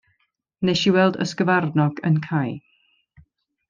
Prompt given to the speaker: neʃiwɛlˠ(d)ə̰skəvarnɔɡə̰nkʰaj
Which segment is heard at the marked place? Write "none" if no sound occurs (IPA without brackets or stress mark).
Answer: d